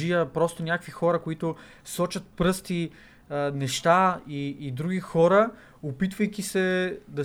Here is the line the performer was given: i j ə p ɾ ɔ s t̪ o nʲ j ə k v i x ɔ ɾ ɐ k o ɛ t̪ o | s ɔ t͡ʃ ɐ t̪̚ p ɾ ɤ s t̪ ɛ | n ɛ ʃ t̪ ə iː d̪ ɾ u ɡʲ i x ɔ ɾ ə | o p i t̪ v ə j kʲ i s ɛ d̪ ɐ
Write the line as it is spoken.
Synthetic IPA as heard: i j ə p ɾ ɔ s t̪ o nʲ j a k v i x ɔ ɾ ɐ k o i t̪ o | s ɔ t͡ʃ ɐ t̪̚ p ɾ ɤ s t̪ i | n ɛ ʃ t̪ a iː d̪ ɾ u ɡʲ i x ɔ ɾ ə | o p i t̪ v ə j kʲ i s ɛ d̪ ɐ